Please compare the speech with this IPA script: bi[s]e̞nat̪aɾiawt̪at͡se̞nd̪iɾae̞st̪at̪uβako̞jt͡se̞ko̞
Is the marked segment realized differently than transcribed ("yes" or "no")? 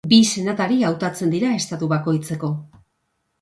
no